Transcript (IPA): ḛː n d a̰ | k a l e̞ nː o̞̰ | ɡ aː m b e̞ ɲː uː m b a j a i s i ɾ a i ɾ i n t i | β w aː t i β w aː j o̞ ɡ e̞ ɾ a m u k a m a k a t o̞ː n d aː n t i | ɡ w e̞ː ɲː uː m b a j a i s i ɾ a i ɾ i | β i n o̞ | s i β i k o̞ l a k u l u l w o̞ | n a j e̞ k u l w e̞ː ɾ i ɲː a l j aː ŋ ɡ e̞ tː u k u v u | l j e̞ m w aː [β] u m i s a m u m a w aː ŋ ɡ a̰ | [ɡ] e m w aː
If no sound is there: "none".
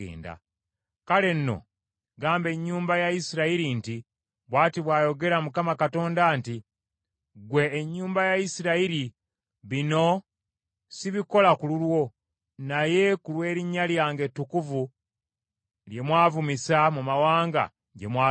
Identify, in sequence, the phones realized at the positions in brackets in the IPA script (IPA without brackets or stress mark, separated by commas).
v, ɟ